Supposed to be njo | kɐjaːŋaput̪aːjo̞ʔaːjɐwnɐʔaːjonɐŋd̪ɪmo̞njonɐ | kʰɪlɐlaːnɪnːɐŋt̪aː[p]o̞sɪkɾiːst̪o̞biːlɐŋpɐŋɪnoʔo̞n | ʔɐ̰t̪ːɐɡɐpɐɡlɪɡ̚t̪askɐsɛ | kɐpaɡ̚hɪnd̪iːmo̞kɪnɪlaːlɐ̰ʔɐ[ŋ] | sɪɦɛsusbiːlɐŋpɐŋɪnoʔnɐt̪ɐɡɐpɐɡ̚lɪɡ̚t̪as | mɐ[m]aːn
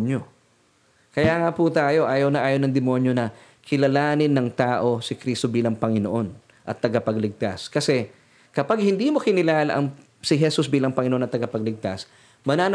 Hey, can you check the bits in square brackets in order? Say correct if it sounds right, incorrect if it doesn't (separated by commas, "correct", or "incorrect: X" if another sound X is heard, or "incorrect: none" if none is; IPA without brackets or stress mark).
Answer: incorrect: ʔ, correct, incorrect: n